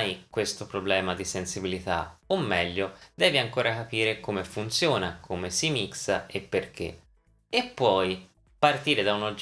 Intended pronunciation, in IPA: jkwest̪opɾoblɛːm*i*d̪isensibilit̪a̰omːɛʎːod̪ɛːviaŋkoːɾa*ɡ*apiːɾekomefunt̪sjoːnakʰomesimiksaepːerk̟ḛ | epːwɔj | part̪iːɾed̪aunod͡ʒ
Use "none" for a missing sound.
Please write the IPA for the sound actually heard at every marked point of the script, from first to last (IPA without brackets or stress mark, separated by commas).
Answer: a, k